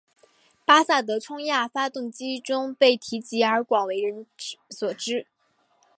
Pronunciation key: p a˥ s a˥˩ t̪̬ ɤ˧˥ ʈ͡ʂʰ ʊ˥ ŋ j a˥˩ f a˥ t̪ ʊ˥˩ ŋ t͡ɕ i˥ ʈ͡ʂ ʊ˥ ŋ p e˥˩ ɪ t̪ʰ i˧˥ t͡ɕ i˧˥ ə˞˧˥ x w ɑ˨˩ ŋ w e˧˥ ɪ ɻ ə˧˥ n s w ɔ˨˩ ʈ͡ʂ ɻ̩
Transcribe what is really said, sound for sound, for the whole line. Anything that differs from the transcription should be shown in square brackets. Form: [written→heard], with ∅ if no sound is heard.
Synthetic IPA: p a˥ s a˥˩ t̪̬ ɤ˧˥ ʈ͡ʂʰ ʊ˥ ŋ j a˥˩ f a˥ t̪ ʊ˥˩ ŋ t͡ɕ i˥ ʈ͡ʂ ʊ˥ ŋ p e˥˩ ɪ t̪ʰ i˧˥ t͡ɕ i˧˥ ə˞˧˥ [x→k] w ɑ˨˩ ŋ w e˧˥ ɪ ɻ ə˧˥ n s w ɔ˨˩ ʈ͡ʂ ɻ̩